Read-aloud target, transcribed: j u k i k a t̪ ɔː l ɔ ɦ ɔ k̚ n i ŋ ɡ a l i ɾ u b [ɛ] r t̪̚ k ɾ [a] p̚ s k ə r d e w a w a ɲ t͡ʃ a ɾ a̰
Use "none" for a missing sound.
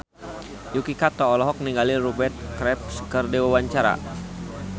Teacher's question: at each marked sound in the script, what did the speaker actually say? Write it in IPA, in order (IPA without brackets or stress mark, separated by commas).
ɛ, ɛ